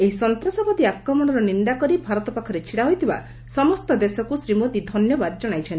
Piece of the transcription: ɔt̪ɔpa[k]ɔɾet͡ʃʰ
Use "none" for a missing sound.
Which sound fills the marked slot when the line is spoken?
kʰ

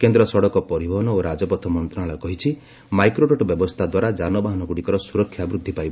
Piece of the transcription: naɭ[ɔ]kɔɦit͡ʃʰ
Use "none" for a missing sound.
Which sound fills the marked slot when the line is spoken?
ɔ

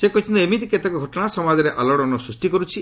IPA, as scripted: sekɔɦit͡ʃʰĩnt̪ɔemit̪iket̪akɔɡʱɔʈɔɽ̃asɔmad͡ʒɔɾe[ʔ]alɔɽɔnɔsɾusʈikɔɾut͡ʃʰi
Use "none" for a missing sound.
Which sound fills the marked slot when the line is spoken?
ʔ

